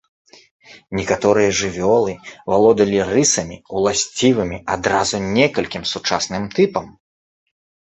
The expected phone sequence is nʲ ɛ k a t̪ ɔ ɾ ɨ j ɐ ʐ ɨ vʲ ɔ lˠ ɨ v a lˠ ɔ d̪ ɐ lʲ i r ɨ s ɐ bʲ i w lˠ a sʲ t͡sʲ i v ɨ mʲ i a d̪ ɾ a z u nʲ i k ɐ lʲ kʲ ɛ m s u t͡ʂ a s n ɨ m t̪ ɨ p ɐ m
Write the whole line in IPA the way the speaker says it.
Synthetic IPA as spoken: nʲ ɛ k a t̪ ɔ ɾ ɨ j ɐ ʐ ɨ vʲ ɔ lˠ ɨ v a lˠ ɔ d̪ ɐ lʲ i r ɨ s ɐ mʲ i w lˠ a sʲ t͡sʲ i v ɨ mʲ i a d̪ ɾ a z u nʲ ɛ k ɐ lʲ kʲ i m s u t͡ʂ a s n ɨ m t̪ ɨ p ɐ m